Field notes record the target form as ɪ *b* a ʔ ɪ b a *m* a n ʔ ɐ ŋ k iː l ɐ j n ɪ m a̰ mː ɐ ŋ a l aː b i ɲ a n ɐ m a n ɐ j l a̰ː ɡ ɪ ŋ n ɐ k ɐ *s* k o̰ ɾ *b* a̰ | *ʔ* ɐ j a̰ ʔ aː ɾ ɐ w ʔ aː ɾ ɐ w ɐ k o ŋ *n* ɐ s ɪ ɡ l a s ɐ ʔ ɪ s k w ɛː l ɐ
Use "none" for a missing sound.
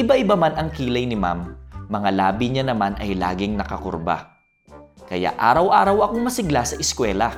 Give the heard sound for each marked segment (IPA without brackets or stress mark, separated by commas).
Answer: b, m, none, b, k, m